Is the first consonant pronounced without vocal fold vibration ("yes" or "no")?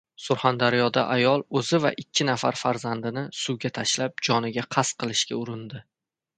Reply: yes